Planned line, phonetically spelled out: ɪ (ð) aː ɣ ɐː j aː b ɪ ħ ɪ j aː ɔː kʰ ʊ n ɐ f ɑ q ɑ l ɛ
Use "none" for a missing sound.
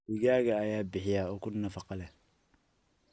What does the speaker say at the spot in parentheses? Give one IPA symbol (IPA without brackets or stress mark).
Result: ɣ